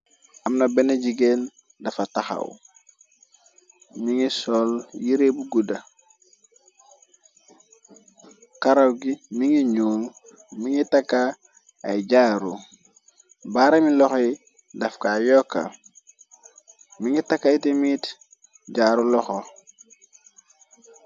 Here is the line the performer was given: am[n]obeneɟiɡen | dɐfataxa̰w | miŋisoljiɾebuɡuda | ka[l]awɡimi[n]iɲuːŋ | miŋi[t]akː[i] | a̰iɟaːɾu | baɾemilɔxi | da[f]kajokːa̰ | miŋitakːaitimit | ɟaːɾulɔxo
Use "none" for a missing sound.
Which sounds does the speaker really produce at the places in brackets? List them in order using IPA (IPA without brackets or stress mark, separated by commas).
n, ɾ, ŋ, t, a, f